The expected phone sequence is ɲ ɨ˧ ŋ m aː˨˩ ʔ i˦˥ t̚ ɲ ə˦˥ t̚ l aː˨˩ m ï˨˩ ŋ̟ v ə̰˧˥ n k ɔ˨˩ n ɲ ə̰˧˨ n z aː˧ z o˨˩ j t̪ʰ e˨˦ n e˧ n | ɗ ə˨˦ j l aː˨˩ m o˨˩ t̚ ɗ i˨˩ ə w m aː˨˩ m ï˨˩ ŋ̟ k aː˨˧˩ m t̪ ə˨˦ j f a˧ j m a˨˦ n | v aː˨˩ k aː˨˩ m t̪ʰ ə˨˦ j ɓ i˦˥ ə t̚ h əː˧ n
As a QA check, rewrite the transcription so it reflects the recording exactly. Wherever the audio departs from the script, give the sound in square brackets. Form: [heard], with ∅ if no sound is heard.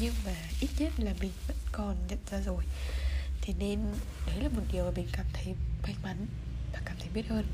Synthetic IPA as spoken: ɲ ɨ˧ ŋ m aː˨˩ ʔ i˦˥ t̚ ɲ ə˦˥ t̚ l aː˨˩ m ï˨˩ ŋ̟ v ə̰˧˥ n k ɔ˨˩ n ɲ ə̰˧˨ n z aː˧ z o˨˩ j t̪ʰ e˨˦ n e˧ n | ɗ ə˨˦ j l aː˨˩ m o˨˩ t̚ ɗ i˨˩ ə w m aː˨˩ m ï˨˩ ŋ̟ k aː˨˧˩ m [t̪ʰ] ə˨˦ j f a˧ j m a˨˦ n | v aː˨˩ k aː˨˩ m t̪ʰ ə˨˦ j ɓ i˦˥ ə t̚ h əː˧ n